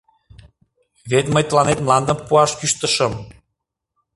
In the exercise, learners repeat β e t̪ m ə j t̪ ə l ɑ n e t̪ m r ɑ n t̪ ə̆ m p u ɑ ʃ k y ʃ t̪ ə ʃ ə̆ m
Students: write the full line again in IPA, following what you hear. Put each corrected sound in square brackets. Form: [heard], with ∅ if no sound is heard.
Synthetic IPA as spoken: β e t̪ m ə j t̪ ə l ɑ n e t̪ m [l] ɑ n [d̪] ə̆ m p u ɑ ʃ k y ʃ t̪ ə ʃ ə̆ m